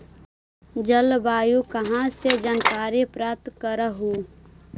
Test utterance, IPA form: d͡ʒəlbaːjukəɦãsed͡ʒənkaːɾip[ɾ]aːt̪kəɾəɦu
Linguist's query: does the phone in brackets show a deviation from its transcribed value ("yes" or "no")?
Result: no